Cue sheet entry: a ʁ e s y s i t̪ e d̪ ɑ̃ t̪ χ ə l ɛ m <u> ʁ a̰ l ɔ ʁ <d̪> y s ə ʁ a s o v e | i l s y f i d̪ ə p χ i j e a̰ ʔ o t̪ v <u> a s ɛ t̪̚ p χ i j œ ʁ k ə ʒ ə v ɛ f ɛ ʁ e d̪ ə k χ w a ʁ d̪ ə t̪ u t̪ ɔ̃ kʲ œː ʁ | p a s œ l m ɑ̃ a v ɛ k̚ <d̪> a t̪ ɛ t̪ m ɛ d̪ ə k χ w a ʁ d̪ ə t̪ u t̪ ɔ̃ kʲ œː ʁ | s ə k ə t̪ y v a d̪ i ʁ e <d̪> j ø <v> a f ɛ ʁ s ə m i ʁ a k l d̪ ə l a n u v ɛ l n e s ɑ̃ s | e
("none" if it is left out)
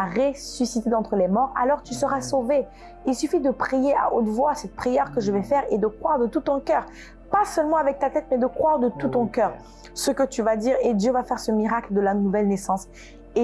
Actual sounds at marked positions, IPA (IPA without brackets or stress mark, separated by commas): ɔ, t̪, w, t̪, d̪, v